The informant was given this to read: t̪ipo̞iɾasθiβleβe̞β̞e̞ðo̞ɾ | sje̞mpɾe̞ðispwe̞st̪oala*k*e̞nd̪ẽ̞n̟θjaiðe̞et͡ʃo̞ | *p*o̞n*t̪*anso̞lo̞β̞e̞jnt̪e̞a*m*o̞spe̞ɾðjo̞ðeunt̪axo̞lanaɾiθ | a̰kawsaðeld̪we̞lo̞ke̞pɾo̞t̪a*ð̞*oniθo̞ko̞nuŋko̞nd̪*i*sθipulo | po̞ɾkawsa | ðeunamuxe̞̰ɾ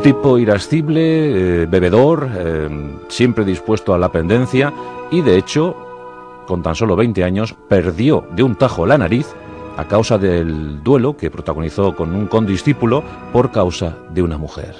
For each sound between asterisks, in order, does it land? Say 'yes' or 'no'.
no, no, yes, no, no, yes

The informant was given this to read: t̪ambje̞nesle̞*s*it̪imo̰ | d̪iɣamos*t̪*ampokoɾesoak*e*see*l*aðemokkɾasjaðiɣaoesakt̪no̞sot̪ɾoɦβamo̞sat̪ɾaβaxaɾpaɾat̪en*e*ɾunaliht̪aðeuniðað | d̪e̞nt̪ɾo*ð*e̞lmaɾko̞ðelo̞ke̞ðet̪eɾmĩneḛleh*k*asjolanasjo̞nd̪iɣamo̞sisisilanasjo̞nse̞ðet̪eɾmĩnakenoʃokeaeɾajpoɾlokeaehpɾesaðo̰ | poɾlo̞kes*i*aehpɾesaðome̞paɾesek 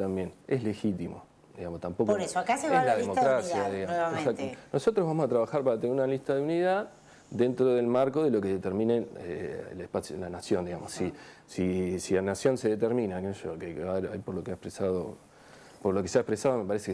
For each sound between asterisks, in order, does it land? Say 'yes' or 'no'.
no, yes, no, yes, yes, yes, no, no

